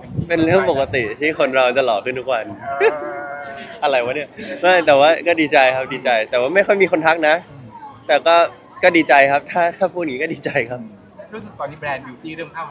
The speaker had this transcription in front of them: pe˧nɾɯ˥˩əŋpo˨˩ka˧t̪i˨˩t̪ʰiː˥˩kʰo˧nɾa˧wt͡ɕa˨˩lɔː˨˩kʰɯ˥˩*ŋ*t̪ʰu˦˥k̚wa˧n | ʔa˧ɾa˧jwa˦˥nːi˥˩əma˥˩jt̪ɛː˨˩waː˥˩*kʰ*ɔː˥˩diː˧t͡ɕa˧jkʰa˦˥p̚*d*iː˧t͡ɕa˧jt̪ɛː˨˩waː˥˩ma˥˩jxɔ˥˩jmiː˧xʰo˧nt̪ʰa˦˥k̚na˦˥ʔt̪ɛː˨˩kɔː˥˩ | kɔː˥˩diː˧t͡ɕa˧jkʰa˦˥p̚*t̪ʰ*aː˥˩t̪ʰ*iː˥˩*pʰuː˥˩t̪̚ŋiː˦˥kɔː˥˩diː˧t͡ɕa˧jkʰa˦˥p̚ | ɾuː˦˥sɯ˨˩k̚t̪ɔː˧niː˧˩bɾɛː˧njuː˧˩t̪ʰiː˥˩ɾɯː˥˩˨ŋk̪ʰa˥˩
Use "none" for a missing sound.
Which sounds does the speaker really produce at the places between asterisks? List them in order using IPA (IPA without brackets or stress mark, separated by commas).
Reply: n, k, d, t̪ʰ, aː˥˩